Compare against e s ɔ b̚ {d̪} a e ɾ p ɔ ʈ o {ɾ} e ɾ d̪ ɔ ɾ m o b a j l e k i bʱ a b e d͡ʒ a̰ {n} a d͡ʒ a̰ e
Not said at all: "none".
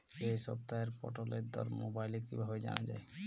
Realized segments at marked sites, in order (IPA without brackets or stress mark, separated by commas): t̪, l, n